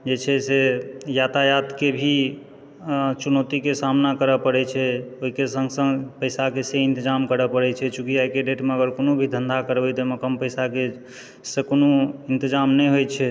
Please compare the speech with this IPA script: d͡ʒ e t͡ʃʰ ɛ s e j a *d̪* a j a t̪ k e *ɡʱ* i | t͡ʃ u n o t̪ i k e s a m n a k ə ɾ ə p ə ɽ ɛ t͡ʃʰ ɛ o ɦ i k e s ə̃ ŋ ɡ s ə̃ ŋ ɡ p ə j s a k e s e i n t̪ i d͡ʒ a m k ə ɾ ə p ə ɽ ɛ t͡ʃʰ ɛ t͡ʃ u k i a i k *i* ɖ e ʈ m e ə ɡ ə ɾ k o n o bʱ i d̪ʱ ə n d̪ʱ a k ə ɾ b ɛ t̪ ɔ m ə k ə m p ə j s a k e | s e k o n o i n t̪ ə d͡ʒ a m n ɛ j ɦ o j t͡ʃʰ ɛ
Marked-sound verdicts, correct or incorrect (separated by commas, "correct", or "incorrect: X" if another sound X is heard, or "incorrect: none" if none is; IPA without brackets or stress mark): incorrect: t̪, incorrect: bʱ, incorrect: e